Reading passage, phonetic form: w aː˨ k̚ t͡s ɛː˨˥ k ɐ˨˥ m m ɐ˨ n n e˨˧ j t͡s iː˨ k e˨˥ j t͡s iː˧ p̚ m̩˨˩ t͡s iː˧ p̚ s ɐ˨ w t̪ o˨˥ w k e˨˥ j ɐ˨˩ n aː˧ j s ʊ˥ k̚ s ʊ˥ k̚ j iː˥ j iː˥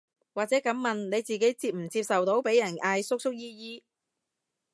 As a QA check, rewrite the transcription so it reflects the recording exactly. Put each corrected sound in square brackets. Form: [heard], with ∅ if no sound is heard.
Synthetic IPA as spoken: w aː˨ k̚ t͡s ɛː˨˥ k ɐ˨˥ m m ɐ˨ n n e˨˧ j t͡s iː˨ k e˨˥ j t͡s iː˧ p̚ m̩˨˩ t͡s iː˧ p̚ s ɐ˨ w t̪ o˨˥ w [p] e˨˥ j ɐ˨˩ n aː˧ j s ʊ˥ k̚ s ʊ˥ k̚ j iː˥ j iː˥